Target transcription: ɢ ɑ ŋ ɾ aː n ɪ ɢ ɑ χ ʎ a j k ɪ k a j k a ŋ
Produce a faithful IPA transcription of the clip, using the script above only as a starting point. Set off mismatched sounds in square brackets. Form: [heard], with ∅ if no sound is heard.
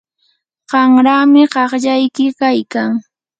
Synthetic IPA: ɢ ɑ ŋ ɾ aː [m] ɪ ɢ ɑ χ ʎ a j k ɪ k a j k a ŋ